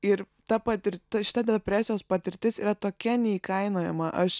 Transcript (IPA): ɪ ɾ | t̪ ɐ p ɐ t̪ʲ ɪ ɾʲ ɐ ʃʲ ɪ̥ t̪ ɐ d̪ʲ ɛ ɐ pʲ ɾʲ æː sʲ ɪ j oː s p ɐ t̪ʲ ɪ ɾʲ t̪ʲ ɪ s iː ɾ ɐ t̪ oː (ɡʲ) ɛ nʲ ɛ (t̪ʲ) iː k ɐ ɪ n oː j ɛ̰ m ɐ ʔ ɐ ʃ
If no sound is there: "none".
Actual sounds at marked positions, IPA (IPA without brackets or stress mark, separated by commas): kʲ, none